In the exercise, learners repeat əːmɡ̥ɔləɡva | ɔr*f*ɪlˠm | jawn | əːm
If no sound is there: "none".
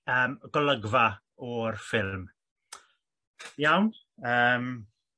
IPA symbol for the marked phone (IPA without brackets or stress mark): f